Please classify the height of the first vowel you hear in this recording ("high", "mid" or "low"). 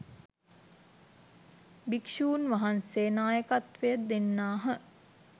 high